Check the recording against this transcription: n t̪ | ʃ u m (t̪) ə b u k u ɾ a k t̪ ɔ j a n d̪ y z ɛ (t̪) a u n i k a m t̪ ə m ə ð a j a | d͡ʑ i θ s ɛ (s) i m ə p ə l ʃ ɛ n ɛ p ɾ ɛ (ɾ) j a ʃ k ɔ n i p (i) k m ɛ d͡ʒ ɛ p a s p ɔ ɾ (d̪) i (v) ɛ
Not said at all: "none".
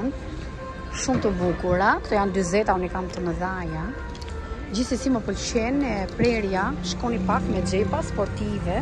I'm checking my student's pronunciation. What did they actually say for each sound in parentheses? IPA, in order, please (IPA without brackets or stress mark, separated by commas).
t̪, t̪, s, ɾ, a, t̪, v